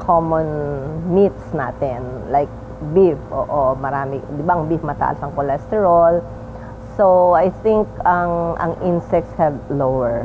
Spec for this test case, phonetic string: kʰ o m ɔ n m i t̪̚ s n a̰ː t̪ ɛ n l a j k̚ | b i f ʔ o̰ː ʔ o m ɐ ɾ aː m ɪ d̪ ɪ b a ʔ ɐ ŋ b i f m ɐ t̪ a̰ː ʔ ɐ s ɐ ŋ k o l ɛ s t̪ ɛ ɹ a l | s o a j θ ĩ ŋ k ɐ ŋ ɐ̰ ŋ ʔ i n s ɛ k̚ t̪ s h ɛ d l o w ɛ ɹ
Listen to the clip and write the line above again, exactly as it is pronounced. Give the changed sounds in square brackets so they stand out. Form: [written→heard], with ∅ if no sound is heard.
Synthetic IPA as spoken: kʰ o m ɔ n m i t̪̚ s n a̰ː t̪ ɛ n l a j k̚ | b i f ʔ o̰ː ʔ o m ɐ ɾ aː m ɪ d̪ ɪ b a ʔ ɐ ŋ b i f m ɐ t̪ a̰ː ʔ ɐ s ɐ ŋ k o l ɛ s t̪ ɛ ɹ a l | s o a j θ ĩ ŋ k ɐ ŋ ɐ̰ ŋ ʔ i n s ɛ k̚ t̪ s h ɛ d l o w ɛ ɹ

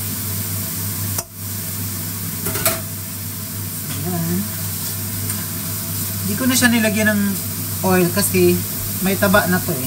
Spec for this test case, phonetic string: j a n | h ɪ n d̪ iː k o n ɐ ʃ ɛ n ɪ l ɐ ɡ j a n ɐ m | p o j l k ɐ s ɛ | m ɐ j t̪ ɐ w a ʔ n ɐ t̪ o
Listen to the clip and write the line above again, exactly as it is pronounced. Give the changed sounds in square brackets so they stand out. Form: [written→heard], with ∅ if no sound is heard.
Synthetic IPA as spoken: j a n | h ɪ n d̪ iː k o n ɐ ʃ [ɛ→a] n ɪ l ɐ ɡ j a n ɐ [m→ŋ] | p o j l k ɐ s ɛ | m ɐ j t̪ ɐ [w→b] a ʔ n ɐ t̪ o

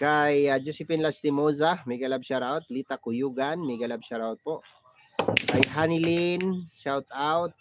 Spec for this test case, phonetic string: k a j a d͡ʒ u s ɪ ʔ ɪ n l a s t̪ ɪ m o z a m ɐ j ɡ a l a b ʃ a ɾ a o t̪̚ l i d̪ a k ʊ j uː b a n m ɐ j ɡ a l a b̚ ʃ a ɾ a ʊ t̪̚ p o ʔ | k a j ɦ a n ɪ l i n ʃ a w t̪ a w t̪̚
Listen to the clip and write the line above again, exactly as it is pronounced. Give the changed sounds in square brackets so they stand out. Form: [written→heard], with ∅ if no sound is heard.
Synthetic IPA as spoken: k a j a d͡ʒ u s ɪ [ʔ→p] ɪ n l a s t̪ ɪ m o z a m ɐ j ɡ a l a b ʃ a ɾ a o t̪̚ l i [d̪→t̪] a k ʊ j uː [b→ɡ] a n m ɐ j ɡ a l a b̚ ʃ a ɾ a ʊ t̪̚ p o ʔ | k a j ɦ a n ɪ l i n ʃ a w t̪ a w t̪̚

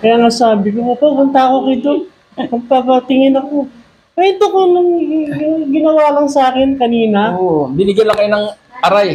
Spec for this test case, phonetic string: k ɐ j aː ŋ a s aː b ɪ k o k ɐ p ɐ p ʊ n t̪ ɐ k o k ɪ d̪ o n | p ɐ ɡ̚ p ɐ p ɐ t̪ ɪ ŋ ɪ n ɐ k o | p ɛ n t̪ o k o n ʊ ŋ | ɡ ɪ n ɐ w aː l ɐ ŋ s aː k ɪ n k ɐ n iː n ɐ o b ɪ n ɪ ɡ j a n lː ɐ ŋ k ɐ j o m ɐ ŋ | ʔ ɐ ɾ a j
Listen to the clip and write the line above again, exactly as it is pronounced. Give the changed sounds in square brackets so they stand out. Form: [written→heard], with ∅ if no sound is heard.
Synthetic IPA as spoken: k ɐ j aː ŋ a s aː b ɪ k o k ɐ p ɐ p ʊ n t̪ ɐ k o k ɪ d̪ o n | p ɐ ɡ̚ p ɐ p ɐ t̪ ɪ ŋ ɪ n ɐ k o | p ɛ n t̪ o k o n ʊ ŋ | ɡ ɪ n ɐ w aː l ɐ ŋ s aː k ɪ n k ɐ n iː n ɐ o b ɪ n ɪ ɡ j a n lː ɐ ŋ k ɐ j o [m→n] ɐ ŋ | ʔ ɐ ɾ a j

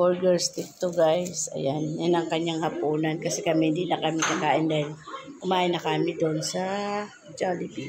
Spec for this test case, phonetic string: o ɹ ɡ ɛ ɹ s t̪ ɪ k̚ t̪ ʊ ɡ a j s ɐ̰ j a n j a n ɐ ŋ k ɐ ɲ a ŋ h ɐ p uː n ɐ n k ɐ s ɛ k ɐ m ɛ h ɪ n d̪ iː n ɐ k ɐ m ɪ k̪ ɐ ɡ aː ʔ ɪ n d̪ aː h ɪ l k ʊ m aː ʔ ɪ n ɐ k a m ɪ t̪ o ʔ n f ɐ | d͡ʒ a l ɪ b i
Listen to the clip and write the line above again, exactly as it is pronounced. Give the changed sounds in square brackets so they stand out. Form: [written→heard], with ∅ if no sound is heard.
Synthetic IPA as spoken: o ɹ ɡ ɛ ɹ s t̪ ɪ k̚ t̪ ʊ ɡ a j s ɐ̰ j a n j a n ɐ ŋ k ɐ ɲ a ŋ h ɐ p uː n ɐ n k ɐ s ɛ k ɐ m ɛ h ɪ n d̪ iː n ɐ k ɐ m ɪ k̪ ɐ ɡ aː ʔ ɪ n d̪ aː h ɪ l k ʊ m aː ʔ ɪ n ɐ k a m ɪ [t̪→d̪] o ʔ n [f→s] ɐ | d͡ʒ a l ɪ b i

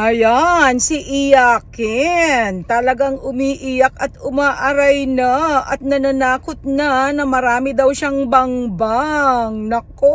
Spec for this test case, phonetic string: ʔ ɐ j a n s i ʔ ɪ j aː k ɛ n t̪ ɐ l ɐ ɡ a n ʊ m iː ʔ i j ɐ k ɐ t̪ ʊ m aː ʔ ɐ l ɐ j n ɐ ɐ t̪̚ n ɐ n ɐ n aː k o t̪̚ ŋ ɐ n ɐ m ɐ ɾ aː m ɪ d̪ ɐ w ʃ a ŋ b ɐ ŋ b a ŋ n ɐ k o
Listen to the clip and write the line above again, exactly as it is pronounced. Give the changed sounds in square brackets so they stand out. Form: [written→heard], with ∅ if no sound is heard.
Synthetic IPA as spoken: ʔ ɐ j a n s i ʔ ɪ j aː k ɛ n t̪ ɐ l ɐ ɡ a [n→ŋ] ʊ m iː ʔ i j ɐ k ɐ t̪ ʊ m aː ʔ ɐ [l→ɾ] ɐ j n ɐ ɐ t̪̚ n ɐ n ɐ n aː k o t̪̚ [ŋ→n] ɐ n ɐ m ɐ ɾ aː m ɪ d̪ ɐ w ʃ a ŋ b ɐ ŋ b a ŋ n ɐ k o

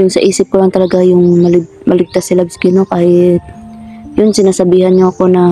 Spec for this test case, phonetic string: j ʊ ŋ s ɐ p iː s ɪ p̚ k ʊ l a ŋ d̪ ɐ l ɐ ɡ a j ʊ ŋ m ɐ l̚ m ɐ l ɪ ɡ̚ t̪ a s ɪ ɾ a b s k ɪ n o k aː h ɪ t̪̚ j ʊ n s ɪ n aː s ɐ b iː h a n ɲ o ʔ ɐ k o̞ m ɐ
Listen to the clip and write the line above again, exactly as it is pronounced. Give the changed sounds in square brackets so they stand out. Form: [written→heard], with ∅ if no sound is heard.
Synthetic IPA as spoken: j ʊ ŋ s ɐ [p→ʔ] iː s ɪ p̚ k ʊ l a ŋ [d̪→t̪] ɐ l ɐ ɡ a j ʊ ŋ m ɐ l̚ m ɐ l ɪ ɡ̚ t̪ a s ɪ [ɾ→l] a b s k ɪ n o k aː h ɪ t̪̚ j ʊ n s ɪ n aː s ɐ b iː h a n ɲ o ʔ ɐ k o̞ [m→n] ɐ

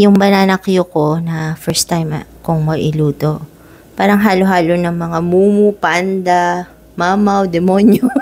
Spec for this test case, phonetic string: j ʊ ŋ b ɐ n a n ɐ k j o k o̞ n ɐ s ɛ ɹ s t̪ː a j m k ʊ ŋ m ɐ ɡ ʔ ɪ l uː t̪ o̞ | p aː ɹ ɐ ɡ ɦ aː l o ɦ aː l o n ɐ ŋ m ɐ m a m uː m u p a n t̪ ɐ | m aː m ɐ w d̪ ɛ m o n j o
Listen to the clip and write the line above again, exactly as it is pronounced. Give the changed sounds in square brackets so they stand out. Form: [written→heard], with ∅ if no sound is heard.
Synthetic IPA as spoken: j ʊ ŋ b ɐ n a n ɐ k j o k o̞ n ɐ [s→f] ɛ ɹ s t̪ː a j m k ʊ ŋ m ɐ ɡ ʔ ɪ l uː t̪ o̞ | p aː [ɹ→ɾ] ɐ [ɡ→ŋ] ɦ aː l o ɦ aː l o n ɐ ŋ m ɐ [m→ŋ] a m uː m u p a n [t̪→d̪] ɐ | m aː m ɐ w d̪ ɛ m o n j o

